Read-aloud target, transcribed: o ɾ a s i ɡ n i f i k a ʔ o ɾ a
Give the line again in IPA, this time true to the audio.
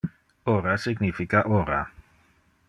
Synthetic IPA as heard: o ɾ a s i ɡ n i f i k a ʔ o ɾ a